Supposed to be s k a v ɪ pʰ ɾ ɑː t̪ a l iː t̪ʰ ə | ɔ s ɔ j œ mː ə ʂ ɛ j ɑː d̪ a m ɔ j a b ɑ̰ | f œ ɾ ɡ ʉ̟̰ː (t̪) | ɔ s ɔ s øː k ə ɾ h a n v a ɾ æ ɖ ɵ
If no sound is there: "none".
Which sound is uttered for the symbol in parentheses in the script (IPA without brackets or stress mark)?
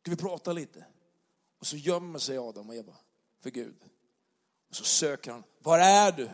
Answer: d̪